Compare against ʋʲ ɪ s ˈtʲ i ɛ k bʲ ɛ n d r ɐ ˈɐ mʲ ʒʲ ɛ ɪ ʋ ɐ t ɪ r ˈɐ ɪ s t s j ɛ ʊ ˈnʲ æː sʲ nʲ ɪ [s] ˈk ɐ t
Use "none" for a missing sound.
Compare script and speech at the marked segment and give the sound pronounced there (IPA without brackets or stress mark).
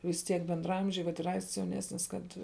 s